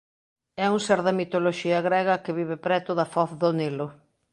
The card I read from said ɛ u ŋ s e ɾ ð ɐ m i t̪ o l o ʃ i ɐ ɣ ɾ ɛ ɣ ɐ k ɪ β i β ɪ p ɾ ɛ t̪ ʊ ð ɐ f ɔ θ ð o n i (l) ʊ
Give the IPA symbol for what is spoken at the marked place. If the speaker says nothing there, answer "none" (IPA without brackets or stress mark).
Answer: l